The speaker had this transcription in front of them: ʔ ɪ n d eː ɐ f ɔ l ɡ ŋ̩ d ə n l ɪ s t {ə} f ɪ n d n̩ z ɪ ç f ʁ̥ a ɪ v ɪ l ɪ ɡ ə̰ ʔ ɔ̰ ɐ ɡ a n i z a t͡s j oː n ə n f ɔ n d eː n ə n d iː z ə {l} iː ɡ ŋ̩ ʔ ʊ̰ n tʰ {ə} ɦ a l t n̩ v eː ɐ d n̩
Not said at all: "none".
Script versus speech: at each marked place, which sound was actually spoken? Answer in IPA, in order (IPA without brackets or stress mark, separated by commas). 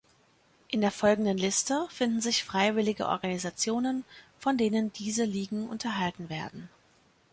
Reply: ə, l, ɐ